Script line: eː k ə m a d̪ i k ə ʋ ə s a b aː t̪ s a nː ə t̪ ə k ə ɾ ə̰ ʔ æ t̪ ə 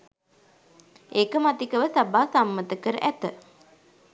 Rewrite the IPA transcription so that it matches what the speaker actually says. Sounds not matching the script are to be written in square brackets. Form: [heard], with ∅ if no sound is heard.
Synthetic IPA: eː k ə m a [t̪] i k ə ʋ ə s a b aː [∅] s a [mː] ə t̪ ə k ə ɾ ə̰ ʔ æ t̪ ə